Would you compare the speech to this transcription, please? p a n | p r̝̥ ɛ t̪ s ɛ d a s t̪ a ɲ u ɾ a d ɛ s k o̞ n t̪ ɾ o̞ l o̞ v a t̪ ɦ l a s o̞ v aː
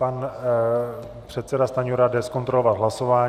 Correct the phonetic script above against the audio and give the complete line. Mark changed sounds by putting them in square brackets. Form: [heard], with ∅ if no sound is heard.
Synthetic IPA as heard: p a n | p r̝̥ ɛ t̪ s ɛ d a s t̪ a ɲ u ɾ a d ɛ s k o̞ n t̪ ɾ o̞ l o̞ v a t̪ ɦ l a s o̞ v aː

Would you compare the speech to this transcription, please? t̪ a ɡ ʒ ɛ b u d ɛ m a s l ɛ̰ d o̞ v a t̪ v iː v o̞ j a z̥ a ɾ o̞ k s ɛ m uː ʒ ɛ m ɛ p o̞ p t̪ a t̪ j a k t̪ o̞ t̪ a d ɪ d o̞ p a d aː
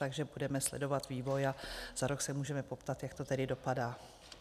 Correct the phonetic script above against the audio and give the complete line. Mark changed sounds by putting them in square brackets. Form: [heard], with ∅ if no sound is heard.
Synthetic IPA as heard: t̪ a ɡ ʒ ɛ b u d ɛ m [ɛ] s l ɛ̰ d o̞ v a t̪ v iː v o̞ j a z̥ a ɾ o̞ k s ɛ m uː ʒ ɛ m ɛ p o̞ p t̪ a t̪ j a k t̪ o̞ t̪ [ɛ] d ɪ d o̞ p a d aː

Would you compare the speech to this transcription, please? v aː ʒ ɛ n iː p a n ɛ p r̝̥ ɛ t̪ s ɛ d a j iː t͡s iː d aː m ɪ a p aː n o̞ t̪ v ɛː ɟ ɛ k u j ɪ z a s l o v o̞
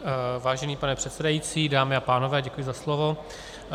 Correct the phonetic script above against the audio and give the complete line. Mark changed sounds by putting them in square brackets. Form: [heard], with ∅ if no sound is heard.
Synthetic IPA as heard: v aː ʒ ɛ n iː p a n ɛ p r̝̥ ɛ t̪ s ɛ d a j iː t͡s iː d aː m ɪ a p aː n o̞ [∅] v ɛː ɟ ɛ k u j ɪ z a s l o v o̞

